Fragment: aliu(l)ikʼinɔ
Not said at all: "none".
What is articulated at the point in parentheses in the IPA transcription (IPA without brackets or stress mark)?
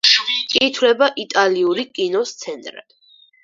ɾ